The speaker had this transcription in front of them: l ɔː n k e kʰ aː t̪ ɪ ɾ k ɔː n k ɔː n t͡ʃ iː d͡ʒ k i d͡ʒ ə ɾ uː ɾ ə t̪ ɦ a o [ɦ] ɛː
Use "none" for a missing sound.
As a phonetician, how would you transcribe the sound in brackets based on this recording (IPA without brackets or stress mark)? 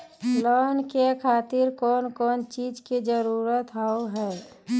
ɦ